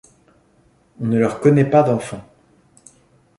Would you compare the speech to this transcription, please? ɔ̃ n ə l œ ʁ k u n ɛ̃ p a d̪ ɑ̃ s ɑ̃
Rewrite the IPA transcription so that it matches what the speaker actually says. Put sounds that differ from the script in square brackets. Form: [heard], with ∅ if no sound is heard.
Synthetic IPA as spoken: ɔ̃ n ə l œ ʁ k [ɔ] n [ɛ] p a d̪ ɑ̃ [f] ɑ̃

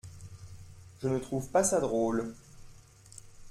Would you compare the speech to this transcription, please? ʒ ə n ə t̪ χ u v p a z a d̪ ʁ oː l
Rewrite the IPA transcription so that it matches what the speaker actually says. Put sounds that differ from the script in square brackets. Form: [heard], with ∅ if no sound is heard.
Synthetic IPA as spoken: ʒ ə n ə t̪ χ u v p a [s] a d̪ ʁ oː l

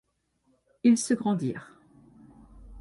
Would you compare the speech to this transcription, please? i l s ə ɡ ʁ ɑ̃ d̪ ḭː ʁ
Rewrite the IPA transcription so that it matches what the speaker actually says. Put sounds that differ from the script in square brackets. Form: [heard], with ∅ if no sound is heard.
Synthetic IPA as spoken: i l s ə ɡ ʁ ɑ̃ d̪ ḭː ʁ

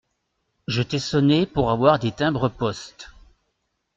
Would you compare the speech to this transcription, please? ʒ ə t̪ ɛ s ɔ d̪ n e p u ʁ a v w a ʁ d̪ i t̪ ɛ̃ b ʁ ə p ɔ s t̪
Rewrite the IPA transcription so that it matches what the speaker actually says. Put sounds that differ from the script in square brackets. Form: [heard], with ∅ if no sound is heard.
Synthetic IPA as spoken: ʒ ə t̪ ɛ s ɔ [∅] n e p u ʁ a v w a ʁ d̪ [e] t̪ ɛ̃ b ʁ ə p ɔ s t̪

